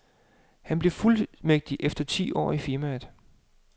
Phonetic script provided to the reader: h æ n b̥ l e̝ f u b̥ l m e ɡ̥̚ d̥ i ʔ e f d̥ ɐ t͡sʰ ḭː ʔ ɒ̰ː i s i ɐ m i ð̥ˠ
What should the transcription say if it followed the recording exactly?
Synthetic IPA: h æ n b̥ l e̝ f u l m e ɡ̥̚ d̥ i ʔ e f d̥ ɐ t͡sʰ ḭː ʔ ɒ̰ː i f i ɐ m æ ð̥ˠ

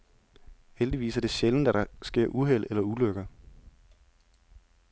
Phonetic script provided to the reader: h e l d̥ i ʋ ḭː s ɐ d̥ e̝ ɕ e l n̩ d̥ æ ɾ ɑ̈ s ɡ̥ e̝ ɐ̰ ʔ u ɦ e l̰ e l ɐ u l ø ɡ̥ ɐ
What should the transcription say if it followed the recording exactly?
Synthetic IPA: h e l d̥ i ʋ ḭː s ɐ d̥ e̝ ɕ e l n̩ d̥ æ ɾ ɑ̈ s ɡ̥ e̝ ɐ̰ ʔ u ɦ e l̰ e l ɐ u l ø ɡ̥ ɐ

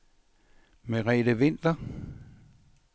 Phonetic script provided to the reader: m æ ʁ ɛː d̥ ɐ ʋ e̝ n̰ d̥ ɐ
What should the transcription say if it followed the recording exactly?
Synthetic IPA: m e ʁ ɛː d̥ ə ʋ e̝ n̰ d̥ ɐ

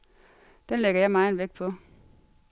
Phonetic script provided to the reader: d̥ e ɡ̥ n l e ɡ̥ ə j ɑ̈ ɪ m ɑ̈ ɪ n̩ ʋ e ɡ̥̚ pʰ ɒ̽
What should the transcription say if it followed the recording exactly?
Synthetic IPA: d̥ e n l e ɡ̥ ɐ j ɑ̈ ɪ m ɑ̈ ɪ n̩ ʋ e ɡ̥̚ pʰ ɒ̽

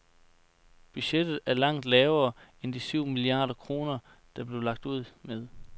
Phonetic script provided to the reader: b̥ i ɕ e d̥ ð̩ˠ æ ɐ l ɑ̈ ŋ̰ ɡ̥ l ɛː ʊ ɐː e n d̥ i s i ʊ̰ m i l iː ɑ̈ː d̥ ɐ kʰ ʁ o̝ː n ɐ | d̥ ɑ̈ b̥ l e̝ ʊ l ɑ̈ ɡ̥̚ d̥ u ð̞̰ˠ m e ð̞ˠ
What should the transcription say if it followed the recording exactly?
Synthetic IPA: b̥ y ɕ e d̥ ð̩ˠ æ ɐ l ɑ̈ ŋ̰ d̥ l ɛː ʊ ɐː e n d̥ i s y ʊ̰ m i l i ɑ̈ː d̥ ɐ kʰ ʁ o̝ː n ɐ | d̥ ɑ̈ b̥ l e̝ ʊ l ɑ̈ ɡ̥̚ d̥ u ð̞̰ˠ m e ð̞ˠ

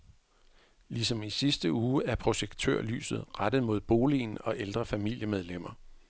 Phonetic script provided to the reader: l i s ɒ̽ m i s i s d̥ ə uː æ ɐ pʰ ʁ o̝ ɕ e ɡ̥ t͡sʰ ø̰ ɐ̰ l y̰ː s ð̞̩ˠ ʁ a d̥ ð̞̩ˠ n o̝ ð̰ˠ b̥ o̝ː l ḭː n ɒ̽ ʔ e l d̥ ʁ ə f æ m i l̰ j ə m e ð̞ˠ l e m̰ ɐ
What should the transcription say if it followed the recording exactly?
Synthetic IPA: l i s ɒ̽ m i s i s d̥ ə uː æ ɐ pʰ ʁ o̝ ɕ e ɡ̥ t͡sʰ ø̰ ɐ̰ l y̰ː s ð̞̩ˠ ʁ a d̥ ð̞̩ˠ m o̝ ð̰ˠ b̥ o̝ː l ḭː n ɒ̽ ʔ e l d̥ ʁ ɐ f æ m i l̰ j ə m e ð̞ˠ l e m̰ ɐ

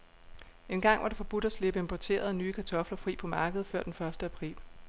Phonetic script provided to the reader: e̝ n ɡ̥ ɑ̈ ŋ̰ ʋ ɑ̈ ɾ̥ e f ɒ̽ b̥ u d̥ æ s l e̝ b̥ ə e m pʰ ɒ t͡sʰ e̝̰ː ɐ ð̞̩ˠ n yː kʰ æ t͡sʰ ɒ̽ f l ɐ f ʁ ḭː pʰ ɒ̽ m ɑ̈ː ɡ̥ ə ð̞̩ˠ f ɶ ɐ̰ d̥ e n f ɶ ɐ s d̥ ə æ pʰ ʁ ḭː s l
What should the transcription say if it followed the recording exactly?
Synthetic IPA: e̝ n ɡ̥ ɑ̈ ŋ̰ ʋ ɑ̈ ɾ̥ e f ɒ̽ b̥ u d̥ æ s l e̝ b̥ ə e m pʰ ɒ t͡sʰ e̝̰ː ɐ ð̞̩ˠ n yː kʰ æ t͡sʰ ɒ̽ f l ɐ f ʁ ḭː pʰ ɒ̽ m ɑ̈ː ɡ̥ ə ð̞̩ˠ f ɶ ɐ̰ d̥ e n f ɶ ɐ s d̥ ə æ pʰ ʁ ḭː l

